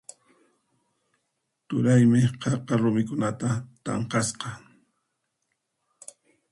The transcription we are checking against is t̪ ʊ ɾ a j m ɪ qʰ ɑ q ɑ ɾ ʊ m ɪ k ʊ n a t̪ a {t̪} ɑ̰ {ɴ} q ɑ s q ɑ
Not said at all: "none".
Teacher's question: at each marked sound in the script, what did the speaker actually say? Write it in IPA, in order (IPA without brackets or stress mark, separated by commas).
t̪, ɴ